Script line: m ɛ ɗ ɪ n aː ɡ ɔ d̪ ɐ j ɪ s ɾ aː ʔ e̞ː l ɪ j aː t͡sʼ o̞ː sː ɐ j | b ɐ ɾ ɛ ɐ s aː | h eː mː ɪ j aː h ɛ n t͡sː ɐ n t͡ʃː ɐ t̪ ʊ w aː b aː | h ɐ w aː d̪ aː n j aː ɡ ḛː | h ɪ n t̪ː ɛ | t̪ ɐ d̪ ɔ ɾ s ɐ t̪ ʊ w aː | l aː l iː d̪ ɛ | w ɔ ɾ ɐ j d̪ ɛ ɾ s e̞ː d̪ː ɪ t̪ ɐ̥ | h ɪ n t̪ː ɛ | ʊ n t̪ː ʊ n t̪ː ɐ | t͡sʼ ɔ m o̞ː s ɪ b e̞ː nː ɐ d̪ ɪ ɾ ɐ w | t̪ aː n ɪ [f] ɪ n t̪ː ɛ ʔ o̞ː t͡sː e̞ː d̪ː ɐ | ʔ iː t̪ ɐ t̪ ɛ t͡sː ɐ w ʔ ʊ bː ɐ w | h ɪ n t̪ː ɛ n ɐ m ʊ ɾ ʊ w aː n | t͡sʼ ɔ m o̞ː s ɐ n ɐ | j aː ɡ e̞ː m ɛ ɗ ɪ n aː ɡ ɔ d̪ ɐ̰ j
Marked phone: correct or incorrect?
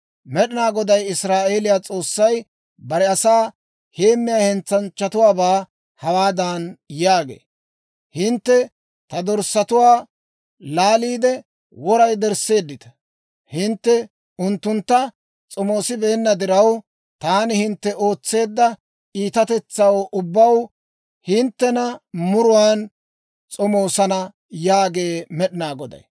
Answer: incorrect